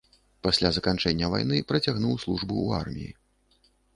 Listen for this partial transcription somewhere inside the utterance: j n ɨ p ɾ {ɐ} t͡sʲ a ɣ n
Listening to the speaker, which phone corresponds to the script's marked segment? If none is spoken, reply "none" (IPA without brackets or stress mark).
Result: ɐ